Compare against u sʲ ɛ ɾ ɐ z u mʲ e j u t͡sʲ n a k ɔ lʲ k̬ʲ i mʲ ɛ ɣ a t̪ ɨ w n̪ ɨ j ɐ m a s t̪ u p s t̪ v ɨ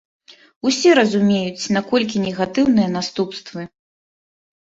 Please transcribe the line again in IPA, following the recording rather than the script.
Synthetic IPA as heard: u sʲ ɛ ɾ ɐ z u mʲ e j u t͡sʲ n a k ɔ lʲ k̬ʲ i nʲ ɛ ɣ a t̪ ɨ w n̪ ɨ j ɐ n a s t̪ u p s t̪ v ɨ